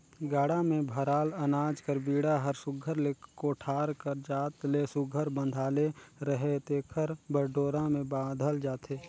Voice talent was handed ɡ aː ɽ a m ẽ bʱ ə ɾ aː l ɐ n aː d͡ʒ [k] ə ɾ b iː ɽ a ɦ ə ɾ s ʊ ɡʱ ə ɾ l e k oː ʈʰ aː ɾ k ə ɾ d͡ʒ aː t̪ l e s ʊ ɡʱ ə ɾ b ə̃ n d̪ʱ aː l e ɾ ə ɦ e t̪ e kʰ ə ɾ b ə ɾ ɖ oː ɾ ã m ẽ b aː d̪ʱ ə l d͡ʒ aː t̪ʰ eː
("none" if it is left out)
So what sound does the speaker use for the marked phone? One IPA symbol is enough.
k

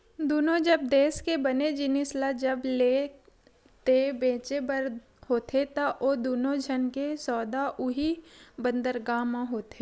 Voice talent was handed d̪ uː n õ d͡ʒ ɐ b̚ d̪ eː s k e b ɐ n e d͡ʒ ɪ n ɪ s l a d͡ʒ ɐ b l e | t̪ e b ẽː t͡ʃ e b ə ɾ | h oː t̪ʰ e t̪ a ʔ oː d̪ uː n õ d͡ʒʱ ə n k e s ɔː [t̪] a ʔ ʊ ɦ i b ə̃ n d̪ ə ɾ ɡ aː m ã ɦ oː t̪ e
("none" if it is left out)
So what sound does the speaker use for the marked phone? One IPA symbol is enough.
d̪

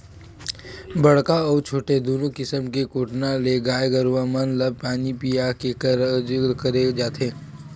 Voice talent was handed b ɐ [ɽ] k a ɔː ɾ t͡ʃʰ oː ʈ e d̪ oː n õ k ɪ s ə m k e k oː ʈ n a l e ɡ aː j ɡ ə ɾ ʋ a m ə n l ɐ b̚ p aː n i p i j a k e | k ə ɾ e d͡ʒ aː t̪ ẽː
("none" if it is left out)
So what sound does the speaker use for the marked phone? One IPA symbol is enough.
ɽ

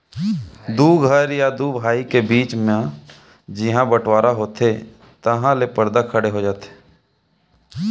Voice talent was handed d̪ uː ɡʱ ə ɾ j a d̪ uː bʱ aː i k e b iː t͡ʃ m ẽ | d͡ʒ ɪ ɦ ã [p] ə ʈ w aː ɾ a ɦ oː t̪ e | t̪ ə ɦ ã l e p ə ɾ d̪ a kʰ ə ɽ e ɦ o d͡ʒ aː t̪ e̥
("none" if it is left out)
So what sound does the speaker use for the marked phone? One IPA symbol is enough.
b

